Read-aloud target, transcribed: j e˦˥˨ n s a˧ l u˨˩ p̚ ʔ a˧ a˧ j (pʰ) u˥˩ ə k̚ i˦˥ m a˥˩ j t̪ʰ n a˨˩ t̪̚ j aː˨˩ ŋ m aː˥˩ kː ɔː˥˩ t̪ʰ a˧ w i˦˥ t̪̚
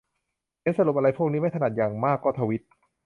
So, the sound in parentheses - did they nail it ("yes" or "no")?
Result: yes